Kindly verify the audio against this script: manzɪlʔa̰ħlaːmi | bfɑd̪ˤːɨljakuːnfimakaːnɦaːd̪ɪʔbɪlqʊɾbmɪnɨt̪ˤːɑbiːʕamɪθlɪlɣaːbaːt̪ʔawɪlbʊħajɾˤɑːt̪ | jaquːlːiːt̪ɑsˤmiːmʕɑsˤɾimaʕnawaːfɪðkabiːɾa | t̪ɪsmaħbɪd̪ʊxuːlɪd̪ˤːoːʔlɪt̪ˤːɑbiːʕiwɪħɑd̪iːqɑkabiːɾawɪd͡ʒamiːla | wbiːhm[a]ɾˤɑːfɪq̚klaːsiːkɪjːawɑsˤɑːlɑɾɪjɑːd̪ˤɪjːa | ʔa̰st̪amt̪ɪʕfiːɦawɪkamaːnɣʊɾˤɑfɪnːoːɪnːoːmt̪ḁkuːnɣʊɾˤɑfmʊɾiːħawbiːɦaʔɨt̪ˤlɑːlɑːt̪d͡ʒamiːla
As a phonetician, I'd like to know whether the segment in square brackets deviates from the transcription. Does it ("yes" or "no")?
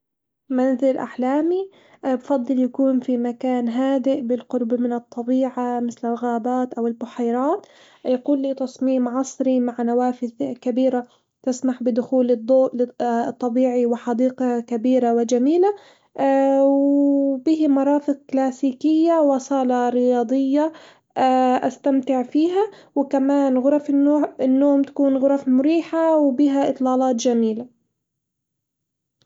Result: yes